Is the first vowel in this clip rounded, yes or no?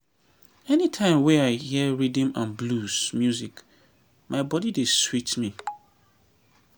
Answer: no